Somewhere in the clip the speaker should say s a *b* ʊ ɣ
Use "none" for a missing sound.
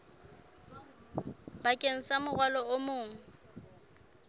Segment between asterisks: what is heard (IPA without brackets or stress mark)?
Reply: m